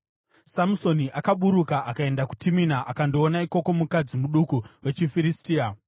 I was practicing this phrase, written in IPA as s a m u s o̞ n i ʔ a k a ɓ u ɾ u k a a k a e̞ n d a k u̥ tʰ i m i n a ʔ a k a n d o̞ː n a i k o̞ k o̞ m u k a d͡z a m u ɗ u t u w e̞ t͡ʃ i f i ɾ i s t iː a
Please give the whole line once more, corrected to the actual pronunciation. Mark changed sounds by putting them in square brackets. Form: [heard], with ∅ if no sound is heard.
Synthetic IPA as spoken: s a m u s o̞ n i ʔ a k a ɓ u ɾ u k a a k a e̞ n d a k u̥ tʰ i m i n a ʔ a k a n d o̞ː n a i k o̞ k o̞ m u k a d͡z [i] m u ɗ u [k] u w e̞ t͡ʃ i f i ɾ i s t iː a